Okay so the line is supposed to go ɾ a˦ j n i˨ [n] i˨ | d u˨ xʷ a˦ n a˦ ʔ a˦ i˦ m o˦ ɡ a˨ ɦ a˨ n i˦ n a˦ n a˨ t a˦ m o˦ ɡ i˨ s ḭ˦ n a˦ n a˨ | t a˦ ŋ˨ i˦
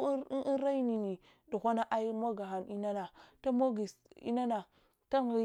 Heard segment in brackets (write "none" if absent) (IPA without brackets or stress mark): n